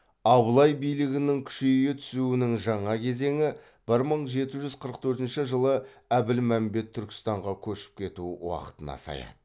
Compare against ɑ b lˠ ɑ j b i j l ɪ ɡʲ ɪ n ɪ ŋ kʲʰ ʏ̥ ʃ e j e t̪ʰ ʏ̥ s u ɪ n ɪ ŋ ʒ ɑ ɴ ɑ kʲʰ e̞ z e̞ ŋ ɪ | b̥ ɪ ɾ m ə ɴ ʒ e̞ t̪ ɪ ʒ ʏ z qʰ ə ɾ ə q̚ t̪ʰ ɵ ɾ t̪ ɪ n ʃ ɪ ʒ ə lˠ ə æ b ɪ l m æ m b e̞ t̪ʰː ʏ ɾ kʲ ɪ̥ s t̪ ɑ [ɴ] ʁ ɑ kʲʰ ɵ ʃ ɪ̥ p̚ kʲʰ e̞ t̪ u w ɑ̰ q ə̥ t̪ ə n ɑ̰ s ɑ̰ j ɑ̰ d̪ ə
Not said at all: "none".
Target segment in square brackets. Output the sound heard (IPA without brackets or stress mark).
ɴ